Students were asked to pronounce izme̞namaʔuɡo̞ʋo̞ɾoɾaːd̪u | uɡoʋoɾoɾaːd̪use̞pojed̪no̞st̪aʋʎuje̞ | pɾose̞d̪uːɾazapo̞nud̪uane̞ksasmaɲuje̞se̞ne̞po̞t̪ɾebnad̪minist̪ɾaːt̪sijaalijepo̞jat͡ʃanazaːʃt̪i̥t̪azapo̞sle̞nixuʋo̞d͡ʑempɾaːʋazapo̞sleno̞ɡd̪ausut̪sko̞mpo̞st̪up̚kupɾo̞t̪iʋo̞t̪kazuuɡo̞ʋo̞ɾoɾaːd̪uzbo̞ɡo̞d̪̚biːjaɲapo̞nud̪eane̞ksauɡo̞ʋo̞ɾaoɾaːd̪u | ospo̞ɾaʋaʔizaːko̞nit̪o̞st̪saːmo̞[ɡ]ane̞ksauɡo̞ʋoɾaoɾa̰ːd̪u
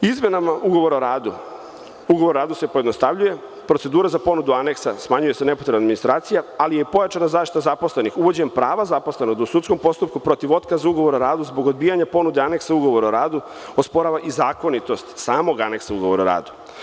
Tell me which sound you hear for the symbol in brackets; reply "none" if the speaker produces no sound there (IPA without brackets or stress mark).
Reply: ɡ